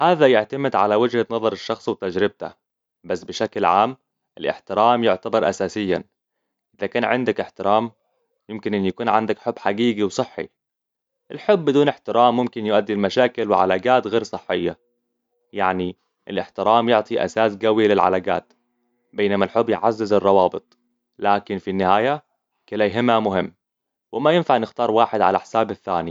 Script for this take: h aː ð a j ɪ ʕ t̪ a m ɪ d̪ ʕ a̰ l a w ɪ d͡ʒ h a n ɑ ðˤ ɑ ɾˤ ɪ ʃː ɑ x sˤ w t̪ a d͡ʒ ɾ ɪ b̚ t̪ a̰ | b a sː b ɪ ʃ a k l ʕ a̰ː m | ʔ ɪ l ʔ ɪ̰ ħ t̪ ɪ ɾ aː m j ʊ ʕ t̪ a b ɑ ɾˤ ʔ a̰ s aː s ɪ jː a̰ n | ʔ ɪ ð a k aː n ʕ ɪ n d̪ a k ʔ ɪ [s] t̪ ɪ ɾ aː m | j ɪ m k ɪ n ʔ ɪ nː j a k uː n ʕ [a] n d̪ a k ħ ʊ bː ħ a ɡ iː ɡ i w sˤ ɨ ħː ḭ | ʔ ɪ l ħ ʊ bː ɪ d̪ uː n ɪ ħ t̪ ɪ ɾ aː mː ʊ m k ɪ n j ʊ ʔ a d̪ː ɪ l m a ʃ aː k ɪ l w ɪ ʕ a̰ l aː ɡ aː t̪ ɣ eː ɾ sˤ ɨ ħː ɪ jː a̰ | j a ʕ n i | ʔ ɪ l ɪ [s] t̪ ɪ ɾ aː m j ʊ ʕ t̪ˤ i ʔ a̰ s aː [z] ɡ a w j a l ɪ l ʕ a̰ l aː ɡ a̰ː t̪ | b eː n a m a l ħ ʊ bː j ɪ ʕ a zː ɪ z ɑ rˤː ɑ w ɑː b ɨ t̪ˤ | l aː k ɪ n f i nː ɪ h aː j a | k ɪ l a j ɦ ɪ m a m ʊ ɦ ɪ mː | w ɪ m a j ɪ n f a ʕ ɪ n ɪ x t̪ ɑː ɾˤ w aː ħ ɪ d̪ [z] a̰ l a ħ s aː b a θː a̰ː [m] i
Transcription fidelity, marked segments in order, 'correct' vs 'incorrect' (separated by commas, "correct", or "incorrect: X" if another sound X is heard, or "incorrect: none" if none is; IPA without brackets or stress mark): incorrect: ħ, correct, incorrect: ħ, incorrect: s, incorrect: ʕ, incorrect: n